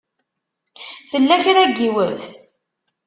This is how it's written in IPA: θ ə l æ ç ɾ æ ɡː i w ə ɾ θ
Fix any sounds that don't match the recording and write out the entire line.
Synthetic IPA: θ ə lː æ ç ɾ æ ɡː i w ə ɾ θ